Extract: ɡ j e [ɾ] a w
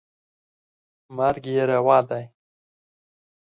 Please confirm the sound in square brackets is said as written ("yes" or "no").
yes